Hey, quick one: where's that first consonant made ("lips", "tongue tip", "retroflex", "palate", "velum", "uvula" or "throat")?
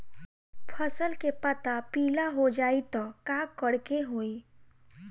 lips